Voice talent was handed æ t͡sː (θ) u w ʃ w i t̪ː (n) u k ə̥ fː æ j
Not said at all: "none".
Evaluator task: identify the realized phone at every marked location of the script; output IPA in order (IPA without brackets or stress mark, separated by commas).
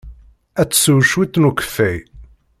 s, n